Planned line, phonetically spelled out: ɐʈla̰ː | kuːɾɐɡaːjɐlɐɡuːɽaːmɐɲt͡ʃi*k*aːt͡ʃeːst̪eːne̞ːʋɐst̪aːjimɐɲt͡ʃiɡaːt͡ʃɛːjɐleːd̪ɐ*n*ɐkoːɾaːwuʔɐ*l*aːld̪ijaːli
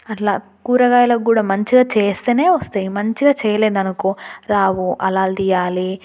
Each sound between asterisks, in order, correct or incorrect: incorrect, correct, correct

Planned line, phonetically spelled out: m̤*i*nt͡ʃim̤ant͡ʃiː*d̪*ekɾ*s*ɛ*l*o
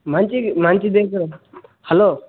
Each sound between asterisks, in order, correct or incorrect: incorrect, correct, incorrect, correct

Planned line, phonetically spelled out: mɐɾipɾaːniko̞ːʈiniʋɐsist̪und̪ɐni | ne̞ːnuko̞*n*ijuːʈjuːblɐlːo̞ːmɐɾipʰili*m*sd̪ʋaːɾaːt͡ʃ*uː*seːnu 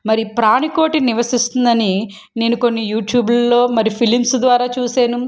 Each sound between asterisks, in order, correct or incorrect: incorrect, correct, correct

